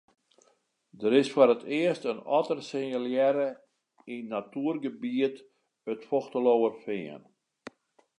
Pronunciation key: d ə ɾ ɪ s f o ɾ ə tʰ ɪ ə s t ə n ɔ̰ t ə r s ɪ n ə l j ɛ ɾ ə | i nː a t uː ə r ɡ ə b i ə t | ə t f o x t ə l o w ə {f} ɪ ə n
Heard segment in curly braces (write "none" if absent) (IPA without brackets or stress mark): f